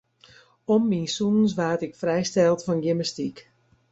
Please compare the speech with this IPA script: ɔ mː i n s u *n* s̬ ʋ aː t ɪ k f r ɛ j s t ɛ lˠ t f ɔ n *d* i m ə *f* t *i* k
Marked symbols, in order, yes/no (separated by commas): yes, no, no, yes